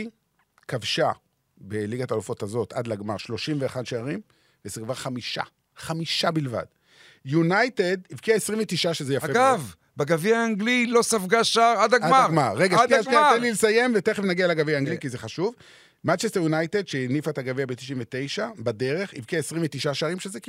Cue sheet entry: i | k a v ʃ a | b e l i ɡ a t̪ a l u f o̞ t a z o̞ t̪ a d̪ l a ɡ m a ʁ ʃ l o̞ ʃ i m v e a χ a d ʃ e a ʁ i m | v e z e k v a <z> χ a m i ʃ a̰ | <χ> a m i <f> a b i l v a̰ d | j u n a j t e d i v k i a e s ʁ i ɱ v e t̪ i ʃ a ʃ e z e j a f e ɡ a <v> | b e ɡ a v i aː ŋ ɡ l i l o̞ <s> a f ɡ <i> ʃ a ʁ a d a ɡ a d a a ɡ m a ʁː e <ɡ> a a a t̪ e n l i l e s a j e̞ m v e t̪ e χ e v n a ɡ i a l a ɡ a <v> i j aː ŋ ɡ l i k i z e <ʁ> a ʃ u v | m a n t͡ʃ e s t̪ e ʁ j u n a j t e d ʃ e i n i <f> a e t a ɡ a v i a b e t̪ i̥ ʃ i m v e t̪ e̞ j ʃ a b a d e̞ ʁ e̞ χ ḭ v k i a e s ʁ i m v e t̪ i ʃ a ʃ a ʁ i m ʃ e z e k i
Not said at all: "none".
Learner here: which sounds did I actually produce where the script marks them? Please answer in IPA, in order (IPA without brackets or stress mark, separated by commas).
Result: ʁ, χ, ʃ, v, s, a, ɡ, v, χ, f